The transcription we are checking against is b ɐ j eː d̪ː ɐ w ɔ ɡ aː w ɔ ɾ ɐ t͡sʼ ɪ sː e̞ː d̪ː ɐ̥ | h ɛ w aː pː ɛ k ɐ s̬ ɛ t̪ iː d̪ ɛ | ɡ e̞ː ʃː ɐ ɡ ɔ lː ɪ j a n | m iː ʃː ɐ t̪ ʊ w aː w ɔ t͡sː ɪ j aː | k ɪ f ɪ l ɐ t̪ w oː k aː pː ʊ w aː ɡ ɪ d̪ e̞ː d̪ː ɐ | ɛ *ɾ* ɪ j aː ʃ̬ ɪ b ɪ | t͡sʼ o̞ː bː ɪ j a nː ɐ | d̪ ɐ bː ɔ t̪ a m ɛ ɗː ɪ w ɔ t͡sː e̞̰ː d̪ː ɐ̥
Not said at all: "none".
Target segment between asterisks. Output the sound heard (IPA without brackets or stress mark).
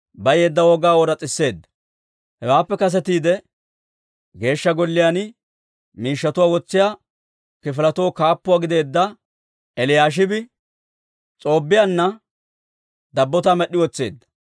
l